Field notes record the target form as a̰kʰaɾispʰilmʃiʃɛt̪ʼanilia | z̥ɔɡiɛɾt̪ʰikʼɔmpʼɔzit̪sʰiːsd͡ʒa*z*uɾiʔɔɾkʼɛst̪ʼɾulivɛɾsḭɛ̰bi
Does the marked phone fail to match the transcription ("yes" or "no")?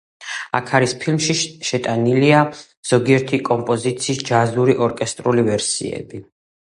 no